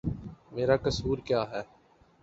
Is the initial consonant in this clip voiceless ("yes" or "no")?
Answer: no